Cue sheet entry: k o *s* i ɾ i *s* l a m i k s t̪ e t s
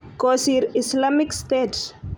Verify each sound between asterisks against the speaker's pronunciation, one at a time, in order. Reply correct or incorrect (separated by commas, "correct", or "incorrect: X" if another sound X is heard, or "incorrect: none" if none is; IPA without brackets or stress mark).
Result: correct, correct